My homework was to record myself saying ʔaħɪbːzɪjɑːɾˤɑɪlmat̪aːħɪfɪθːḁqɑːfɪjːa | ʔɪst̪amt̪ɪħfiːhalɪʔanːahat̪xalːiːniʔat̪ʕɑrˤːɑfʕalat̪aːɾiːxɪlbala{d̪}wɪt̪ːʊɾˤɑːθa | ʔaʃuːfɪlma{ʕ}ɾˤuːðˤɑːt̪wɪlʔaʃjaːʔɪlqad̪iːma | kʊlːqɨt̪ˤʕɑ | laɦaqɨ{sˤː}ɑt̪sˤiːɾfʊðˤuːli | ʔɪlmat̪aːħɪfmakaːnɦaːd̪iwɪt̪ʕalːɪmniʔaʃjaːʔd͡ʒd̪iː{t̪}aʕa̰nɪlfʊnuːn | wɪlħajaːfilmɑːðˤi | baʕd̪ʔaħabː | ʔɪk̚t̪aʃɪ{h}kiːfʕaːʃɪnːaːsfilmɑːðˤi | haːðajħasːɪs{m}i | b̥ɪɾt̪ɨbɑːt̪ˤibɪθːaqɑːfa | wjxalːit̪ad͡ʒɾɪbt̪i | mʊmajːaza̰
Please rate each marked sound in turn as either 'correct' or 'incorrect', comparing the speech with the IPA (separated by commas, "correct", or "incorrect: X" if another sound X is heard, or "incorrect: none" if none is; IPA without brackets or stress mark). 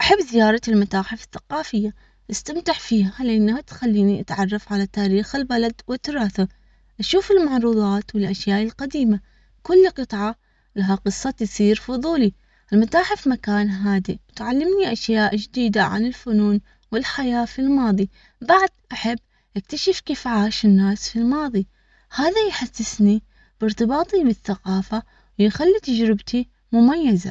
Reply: correct, correct, correct, incorrect: d̪, incorrect: f, incorrect: n